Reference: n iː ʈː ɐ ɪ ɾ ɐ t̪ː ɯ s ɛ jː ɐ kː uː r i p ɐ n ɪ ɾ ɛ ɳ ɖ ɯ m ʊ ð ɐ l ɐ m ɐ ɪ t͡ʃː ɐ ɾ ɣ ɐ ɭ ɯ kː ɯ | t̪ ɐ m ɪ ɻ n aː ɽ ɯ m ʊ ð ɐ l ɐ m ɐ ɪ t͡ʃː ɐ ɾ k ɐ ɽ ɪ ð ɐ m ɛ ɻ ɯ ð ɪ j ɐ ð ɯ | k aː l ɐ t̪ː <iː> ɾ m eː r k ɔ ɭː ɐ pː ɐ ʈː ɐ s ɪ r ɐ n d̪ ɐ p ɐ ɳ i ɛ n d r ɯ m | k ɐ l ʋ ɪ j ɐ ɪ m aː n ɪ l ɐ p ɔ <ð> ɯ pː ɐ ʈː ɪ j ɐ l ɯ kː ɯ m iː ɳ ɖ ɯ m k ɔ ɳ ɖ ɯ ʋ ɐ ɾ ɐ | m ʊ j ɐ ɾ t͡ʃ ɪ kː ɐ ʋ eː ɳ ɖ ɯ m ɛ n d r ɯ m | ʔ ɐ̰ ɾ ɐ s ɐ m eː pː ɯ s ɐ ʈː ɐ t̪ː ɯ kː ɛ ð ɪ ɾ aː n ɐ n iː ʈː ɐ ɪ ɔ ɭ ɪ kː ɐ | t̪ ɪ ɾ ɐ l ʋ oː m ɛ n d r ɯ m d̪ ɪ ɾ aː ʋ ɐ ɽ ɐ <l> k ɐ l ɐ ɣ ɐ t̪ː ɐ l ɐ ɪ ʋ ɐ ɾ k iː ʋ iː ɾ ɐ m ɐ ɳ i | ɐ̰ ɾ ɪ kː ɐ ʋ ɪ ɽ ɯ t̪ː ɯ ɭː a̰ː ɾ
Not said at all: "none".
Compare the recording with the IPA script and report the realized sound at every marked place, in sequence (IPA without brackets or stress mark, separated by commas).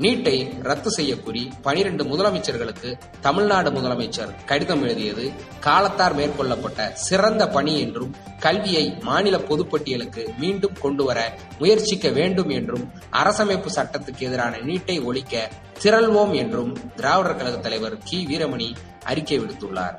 aː, ð, ɾ